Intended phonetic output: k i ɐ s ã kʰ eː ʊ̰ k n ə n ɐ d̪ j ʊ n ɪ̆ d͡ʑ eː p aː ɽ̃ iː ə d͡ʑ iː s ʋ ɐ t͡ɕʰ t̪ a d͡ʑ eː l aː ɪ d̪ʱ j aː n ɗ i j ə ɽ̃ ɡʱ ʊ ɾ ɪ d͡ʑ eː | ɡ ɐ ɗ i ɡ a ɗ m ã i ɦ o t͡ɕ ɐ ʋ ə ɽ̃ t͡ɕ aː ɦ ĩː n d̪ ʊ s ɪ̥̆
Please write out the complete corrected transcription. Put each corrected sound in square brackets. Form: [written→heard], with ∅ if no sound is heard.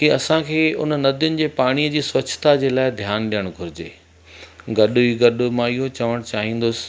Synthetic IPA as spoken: k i ɐ s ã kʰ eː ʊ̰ [k→∅] n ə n ɐ d̪ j ʊ n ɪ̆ d͡ʑ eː p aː ɽ̃ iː ə d͡ʑ iː s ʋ ɐ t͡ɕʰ t̪ a d͡ʑ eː l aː ɪ d̪ʱ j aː n ɗ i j ə ɽ̃ ɡʱ ʊ ɾ ɪ d͡ʑ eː | ɡ ɐ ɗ i ɡ [a→ɐ] ɗ m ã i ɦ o t͡ɕ ɐ ʋ ə ɽ̃ t͡ɕ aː ɦ ĩː n d̪ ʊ s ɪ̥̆